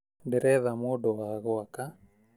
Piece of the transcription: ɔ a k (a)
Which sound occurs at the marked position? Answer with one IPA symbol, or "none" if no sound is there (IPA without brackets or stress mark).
a